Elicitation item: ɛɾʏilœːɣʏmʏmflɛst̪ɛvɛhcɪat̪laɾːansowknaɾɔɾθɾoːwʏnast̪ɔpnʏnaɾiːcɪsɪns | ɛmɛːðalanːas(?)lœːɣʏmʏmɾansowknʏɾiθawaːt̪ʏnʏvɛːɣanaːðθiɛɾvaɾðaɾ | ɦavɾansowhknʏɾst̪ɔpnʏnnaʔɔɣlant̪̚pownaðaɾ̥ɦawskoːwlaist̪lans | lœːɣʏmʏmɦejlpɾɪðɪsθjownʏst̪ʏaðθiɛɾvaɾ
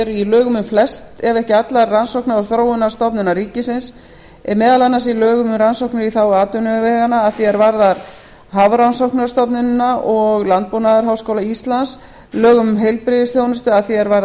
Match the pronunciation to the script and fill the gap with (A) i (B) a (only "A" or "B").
A